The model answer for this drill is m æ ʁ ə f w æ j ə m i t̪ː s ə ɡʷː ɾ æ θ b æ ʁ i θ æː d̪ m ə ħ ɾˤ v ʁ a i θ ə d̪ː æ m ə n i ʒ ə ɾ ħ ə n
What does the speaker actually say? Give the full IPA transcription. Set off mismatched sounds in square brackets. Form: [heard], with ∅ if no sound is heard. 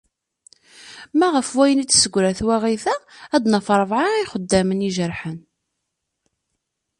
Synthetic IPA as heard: m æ ʁ ə f w æ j ə [n] i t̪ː s ə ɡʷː ɾ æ θ [w] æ ʁ i θ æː d̪ [n] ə [f] ɾˤ v [ʕ] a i [χ] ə d̪ː æ m ə n i ʒ ə ɾ ħ ə n